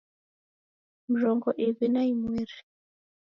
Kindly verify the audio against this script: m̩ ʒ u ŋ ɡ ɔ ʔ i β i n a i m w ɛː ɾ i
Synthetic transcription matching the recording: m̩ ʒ ɔ ŋ ɡ ɔ ʔ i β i n a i m w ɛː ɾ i